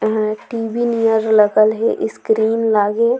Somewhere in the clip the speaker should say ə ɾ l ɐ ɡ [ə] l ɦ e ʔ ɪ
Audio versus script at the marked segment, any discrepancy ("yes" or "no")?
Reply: no